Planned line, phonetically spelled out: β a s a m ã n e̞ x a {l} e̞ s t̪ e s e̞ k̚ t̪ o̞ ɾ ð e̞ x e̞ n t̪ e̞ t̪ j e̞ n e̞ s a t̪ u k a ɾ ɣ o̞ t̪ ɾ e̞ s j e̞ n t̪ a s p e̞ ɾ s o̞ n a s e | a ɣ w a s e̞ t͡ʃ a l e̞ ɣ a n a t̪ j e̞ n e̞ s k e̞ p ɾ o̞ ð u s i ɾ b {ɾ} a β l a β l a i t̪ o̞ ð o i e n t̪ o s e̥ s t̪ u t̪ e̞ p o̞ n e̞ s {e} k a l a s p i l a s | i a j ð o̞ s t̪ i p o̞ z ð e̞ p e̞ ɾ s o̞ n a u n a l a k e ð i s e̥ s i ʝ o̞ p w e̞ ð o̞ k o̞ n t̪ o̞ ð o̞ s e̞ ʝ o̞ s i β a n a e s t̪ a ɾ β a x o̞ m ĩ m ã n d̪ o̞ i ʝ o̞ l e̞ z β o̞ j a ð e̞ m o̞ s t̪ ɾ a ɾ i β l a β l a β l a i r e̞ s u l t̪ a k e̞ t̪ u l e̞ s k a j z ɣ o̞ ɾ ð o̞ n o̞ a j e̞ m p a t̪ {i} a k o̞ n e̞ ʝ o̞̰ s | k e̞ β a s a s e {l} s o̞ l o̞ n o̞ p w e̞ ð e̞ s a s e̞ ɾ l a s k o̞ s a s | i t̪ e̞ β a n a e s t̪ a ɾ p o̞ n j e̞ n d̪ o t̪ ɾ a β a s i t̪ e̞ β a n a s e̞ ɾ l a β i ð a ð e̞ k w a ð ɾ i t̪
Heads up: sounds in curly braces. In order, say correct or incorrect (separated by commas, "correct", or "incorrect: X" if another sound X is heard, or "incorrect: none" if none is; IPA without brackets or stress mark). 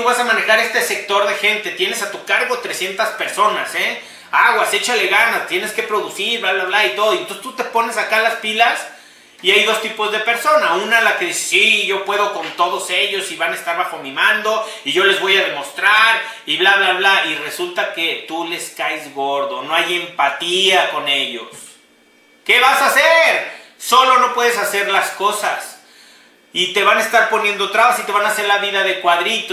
incorrect: ɾ, incorrect: l, incorrect: a, correct, incorrect: ɾ